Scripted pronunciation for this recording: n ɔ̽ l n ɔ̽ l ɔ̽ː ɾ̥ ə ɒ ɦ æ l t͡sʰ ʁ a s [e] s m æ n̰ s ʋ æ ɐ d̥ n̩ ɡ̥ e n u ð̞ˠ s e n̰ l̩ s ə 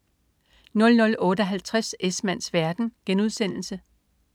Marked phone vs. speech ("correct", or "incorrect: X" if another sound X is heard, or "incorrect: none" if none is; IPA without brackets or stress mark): correct